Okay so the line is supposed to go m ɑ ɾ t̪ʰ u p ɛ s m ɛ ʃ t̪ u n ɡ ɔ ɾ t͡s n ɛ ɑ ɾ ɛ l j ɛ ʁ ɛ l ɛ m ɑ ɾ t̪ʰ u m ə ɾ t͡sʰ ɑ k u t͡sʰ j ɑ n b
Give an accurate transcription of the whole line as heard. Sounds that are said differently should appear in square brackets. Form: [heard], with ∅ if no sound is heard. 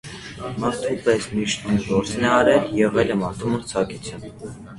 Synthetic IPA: m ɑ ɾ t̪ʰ u p ɛ s m [i] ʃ t̪ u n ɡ ɔ ɾ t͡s n ɛ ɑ ɾ ɛ l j ɛ ʁ ɛ l ɛ m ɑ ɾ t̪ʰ u m ə ɾ t͡sʰ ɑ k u t͡sʰ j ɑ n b